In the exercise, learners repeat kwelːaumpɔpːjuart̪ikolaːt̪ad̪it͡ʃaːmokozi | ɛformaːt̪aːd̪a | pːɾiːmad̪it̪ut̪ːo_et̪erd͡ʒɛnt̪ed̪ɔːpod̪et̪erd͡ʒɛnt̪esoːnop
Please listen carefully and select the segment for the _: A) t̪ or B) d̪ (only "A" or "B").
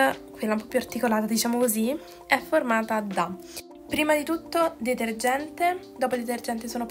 B